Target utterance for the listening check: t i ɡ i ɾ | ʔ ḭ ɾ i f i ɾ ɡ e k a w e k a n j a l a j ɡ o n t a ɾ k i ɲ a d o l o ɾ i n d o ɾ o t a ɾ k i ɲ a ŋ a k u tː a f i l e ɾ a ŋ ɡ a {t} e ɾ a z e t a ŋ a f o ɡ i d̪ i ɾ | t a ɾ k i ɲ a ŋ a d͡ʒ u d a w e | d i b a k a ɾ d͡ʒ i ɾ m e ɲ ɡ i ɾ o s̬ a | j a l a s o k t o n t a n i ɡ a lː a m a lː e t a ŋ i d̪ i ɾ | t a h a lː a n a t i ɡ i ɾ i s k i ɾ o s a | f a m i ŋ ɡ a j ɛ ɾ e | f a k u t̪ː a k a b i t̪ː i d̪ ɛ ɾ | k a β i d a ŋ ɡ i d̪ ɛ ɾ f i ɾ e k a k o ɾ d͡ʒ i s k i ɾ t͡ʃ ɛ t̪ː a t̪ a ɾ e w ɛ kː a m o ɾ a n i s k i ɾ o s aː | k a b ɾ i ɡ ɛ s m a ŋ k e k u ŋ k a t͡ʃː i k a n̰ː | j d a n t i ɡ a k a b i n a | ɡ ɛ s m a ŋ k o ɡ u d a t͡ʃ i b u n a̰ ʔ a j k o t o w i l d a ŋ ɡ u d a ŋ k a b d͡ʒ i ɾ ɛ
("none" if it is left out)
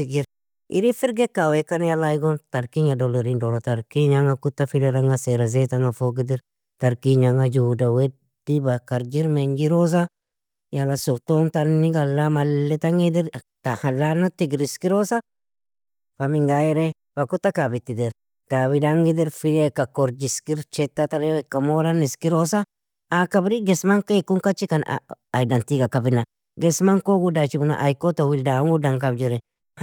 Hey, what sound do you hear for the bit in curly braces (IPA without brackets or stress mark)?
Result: s